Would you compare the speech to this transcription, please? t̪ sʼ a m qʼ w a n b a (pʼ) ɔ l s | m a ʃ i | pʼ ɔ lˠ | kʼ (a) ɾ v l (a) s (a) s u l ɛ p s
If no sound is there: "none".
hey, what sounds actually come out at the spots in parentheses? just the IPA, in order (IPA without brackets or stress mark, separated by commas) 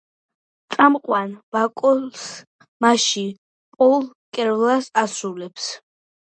kʼ, ɛ, a, a